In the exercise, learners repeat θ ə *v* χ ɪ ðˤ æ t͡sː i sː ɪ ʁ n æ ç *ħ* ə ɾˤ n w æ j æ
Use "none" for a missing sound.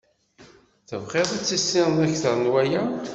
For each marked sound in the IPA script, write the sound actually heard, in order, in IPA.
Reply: v, θ

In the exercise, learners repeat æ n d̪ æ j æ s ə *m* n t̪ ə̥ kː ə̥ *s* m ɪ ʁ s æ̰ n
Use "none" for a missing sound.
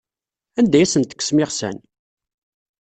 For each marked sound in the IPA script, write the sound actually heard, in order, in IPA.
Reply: none, s

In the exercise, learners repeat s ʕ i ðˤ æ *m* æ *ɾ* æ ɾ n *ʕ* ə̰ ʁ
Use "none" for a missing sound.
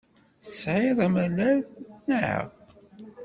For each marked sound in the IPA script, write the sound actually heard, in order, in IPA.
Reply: m, l, ʕ

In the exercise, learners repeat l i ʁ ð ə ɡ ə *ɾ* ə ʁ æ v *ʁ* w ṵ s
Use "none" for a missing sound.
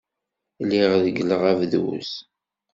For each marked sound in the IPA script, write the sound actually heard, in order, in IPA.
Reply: l, ð

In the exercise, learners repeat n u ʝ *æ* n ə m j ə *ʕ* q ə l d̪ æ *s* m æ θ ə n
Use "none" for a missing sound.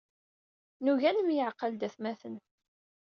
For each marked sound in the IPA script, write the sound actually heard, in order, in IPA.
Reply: æ, ʕ, θ

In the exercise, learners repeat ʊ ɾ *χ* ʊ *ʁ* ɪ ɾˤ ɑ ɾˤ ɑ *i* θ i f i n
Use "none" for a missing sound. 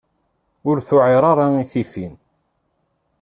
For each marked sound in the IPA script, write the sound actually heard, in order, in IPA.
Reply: θ, ʕ, i

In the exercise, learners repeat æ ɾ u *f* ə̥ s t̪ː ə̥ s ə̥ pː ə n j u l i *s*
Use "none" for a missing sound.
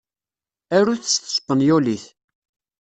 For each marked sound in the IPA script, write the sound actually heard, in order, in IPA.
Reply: θ, θ

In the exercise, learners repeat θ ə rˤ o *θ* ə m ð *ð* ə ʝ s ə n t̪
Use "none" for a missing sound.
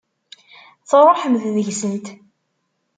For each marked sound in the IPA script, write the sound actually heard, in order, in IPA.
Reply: ħ, ð

